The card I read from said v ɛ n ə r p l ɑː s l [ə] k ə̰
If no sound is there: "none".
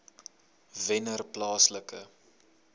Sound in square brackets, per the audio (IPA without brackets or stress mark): ə